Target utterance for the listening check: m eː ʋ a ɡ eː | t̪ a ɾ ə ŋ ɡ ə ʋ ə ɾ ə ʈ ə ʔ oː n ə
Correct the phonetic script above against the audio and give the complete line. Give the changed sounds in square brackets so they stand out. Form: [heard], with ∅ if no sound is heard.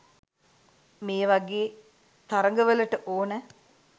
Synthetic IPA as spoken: m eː ʋ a ɡ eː | t̪ a ɾ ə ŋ ɡ ə ʋ ə [l] ə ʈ ə ʔ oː n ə